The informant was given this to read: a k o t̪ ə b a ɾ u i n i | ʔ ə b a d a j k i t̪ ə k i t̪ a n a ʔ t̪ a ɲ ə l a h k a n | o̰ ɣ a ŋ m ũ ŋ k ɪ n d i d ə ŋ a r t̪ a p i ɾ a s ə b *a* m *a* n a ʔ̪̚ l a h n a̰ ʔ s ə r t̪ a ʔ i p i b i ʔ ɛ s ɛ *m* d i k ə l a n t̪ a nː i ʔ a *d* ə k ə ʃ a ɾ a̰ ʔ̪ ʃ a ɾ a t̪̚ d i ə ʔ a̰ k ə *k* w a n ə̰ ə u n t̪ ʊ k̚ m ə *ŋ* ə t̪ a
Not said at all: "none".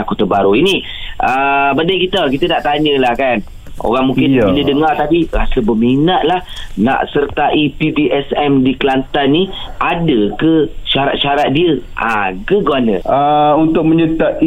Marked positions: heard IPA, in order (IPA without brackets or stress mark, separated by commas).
ə, i, m, d, ɡ, ɲ